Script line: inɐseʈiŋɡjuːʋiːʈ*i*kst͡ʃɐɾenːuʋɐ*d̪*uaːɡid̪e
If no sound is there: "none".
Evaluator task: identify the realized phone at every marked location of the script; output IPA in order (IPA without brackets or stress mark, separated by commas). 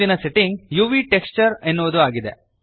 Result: e, d̪